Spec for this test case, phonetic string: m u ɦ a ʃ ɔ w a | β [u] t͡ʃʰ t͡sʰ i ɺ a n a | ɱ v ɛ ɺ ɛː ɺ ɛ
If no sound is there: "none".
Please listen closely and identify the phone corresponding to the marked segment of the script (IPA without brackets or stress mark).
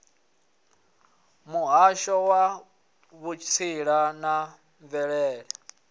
u